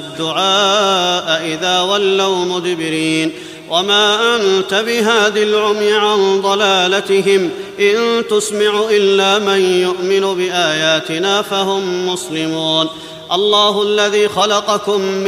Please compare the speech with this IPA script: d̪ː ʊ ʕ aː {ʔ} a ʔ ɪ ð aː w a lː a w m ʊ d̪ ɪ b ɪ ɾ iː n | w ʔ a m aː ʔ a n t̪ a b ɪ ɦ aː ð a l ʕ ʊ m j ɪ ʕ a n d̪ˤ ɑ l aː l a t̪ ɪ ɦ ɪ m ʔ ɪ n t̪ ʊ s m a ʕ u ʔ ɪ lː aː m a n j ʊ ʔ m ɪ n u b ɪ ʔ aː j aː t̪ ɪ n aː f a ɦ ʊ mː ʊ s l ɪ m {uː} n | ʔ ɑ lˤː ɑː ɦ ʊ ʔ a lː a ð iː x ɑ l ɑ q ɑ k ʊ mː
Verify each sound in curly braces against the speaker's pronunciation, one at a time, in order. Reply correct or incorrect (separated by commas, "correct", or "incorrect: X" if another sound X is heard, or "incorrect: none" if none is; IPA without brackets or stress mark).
correct, correct